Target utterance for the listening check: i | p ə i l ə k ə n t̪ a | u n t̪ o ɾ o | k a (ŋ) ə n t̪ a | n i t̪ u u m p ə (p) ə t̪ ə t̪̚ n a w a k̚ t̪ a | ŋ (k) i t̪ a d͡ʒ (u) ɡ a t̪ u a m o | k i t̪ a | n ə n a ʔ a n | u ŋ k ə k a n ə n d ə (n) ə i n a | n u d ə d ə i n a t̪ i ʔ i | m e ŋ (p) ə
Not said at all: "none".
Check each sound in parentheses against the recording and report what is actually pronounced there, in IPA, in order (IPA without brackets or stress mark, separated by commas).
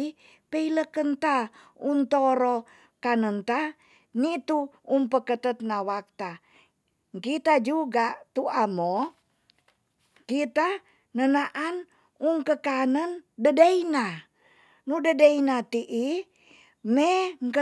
n, k, k, u, d, k